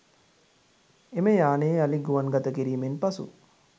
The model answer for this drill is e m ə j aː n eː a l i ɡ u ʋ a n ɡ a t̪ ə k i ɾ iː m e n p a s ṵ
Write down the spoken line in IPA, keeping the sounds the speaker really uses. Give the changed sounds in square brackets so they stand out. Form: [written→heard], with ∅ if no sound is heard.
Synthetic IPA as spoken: e m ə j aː n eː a l i ɡ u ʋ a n ɡ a t̪ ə k i ɾ iː m e n p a s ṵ